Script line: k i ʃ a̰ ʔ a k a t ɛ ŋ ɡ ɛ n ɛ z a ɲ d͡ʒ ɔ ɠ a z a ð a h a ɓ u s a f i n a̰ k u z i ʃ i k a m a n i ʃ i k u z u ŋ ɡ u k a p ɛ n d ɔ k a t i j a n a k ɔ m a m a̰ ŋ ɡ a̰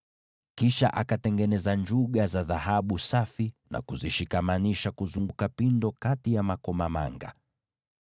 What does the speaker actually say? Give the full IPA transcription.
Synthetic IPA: k i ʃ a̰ ʔ a k a t ɛ ŋ ɡ ɛ n ɛ z a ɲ d͡ʒ u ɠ a z a ð a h a ɓ u s a f i n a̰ k u z i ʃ i k a m a n i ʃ a k u z u ŋ ɡ u k a p i n d ɔ k a t i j a m a k ɔ m a m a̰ ŋ ɡ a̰